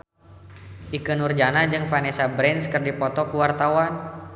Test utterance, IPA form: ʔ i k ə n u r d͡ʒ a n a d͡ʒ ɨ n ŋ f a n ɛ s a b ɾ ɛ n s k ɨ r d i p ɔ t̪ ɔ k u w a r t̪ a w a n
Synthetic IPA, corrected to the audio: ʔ i k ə n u r d͡ʒ a n a d͡ʒ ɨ ŋ f a n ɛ s a b ɾ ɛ n s k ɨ r d i p ɔ t̪ ɔ k u w a r t̪ a w a n